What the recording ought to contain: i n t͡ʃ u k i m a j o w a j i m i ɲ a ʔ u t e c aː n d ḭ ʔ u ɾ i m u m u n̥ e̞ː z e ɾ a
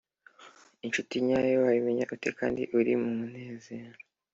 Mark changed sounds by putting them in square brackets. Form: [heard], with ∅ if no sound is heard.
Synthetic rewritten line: i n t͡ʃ u [t] i [ɲ] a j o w a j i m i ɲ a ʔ u t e [k] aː n d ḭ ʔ u ɾ i m u m u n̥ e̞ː z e ɾ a